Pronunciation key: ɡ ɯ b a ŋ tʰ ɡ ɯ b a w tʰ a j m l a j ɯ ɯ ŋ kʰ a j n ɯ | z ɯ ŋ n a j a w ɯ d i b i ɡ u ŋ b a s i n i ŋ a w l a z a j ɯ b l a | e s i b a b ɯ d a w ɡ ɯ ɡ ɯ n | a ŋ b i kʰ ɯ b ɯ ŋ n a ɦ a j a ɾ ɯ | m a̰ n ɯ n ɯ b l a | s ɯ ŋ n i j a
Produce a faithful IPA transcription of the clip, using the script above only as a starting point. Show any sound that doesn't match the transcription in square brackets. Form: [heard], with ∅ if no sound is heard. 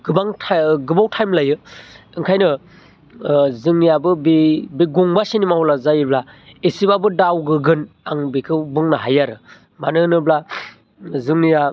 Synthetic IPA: ɡ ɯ b a ŋ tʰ ɡ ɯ b a w tʰ a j m l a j ɯ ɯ ŋ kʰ a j n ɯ | z ɯ ŋ n [i] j a [b] ɯ [b] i b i ɡ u ŋ b a s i n i [m] a w l a z a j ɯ b l a | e s i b a b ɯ d a w ɡ ɯ ɡ ɯ n | a ŋ b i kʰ ɯ b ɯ ŋ n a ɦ a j a ɾ ɯ | m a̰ n ɯ n ɯ b l a | [z] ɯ ŋ n i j a